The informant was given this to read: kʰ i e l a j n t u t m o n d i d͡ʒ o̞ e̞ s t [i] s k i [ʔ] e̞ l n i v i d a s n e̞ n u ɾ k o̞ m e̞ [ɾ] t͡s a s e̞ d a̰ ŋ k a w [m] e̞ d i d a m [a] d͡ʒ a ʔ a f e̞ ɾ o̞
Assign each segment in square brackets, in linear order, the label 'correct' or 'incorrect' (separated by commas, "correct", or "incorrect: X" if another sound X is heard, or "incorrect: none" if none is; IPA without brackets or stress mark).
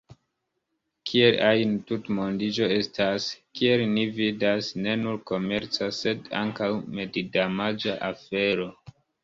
incorrect: a, incorrect: none, correct, correct, correct